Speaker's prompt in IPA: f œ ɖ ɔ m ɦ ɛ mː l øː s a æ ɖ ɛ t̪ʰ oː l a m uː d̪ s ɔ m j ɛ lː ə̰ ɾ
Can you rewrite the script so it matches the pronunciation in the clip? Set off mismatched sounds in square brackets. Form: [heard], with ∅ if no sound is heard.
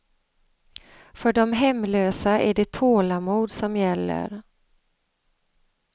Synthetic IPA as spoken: f œ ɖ ɔ m ɦ ɛ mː l øː s a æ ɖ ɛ t̪ʰ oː l a m uː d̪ s ɔ m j ɛ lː ə̰ ɾ

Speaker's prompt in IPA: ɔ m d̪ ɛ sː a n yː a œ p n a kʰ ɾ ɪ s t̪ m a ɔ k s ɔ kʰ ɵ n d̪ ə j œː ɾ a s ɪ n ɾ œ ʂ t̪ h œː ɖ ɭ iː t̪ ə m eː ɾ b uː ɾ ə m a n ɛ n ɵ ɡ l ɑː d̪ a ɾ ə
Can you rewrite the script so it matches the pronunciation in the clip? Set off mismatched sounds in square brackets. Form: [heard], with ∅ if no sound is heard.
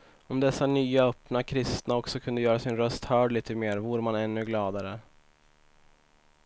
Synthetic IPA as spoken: ɔ m d̪ ɛ sː a n yː a œ p n a kʰ ɾ ɪ s t̪ [n] a ɔ k s ɔ kʰ ɵ n d̪ ə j œː ɾ a s ɪ n ɾ œ [s] t̪ h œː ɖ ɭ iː t̪ ə m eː ɾ [v] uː ɾ ə m a n ɛ [nː] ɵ ɡ l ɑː d̪ a ɾ ə

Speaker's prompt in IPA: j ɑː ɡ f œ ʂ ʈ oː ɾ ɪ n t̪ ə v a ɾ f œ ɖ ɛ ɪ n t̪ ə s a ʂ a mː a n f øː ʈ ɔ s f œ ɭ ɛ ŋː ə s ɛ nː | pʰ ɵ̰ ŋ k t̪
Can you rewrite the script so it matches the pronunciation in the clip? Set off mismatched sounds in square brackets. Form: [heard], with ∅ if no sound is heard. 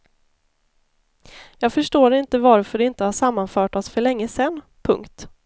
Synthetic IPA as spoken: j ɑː ɡ f œ ʂ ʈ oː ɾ ɪ n t̪ ə v a ɾ f œ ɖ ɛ ɪ n t̪ ə [h] a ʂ a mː a n f [œː] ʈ ɔ s f œ ɭ ɛ ŋː ə s ɛ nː | pʰ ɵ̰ ŋ k t̪

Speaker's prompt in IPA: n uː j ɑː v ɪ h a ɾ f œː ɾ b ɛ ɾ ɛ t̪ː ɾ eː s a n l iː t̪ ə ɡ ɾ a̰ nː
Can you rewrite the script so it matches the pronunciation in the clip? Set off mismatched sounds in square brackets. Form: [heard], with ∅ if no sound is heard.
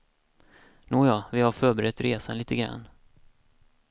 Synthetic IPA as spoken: n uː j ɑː v ɪ h a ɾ f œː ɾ b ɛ ɾ ɛ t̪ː ɾ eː s a n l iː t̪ ə ɡ ɾ a̰ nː

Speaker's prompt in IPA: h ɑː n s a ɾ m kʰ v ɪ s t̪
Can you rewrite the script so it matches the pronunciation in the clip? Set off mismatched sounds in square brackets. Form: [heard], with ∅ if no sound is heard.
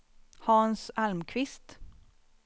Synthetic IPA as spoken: h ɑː n s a [l] m kʰ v ɪ s t̪

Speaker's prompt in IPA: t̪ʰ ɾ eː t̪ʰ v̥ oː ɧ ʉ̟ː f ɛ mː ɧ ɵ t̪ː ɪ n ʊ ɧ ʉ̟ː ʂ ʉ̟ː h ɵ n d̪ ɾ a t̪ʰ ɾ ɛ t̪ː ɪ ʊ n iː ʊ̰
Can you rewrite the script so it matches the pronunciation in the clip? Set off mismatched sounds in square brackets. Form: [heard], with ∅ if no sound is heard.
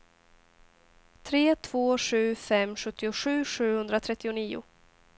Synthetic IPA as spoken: t̪ʰ ɾ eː t̪ʰ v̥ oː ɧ ʉ̟ː f ɛ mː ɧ ɵ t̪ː ɪ [∅] ʊ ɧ ʉ̟ː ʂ ʉ̟ː h ɵ n d̪ ɾ a t̪ʰ ɾ ɛ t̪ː ɪ ʊ n iː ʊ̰

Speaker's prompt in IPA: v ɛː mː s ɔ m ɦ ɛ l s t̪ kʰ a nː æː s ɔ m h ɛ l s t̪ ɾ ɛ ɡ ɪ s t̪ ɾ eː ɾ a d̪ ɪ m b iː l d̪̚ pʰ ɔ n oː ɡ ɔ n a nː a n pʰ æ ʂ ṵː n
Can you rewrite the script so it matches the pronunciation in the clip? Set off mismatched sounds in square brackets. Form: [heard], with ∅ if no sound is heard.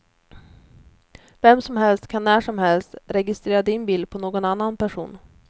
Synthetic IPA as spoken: v [ɛ] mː s ɔ m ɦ ɛ l s t̪ kʰ a nː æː [ʂ] ɔ m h ɛ l s t̪ ɾ ɛ ɡ ɪ s t̪ ɾ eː ɾ a d̪ ɪ [n] b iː l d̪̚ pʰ ɔ n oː ɡ ɔ n a nː a n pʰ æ ʂ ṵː n

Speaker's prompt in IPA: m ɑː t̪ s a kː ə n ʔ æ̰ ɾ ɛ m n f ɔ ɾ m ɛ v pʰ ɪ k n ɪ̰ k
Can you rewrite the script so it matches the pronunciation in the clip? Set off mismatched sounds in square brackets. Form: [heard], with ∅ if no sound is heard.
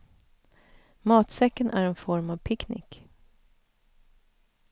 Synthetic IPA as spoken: m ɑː t̪ s [ɛ] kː ə n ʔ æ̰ ɾ ɛ [∅] n f ɔ ɾ m [a] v pʰ ɪ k n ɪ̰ k

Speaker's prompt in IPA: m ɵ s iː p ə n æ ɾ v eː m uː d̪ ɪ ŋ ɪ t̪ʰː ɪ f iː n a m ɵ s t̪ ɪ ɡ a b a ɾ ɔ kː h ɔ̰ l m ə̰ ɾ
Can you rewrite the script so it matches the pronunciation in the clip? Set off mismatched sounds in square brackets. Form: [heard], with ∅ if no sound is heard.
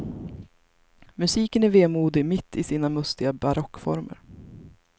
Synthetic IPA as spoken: m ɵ s iː [k] ə n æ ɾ v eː m uː d̪ ɪ [m] ɪ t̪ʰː ɪ [s] iː n a m ɵ s t̪ ɪ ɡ a b a ɾ ɔ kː [f] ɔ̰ [ɾ] m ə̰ ɾ

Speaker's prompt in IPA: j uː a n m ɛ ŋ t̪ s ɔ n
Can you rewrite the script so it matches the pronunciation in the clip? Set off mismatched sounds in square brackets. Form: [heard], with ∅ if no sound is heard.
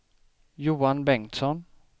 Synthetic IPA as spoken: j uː a n [b] ɛ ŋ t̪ s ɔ n

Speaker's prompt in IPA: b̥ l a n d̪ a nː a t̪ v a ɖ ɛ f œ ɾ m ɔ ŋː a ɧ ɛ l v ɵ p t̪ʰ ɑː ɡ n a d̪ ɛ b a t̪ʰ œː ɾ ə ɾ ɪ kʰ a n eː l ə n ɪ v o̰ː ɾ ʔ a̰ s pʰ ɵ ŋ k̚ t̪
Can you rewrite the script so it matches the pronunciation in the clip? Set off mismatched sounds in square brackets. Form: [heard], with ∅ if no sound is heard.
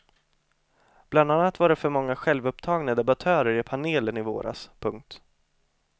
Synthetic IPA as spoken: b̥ l a n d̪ a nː a t̪ v a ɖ ɛ f œ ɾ m ɔ ŋː a ɧ ɛ l v ɵ p t̪ʰ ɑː ɡ n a d̪ ɛ b a t̪ʰ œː ɾ ə ɾ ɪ [pʰ] a n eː l ə n ɪ v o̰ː ɾ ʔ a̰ s pʰ ɵ ŋ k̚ t̪

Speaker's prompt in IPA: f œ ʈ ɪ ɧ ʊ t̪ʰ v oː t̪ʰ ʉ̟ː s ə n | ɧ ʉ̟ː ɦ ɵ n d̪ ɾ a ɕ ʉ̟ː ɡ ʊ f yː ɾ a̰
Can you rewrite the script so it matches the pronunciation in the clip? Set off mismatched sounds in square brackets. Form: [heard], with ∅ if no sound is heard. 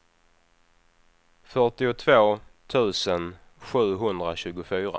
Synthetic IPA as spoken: f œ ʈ ɪ [∅] ʊ t̪ʰ v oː t̪ʰ ʉ̟ː s ə n | ɧ ʉ̟ː ɦ ɵ n d̪ ɾ a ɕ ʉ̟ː ɡ ʊ f yː ɾ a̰

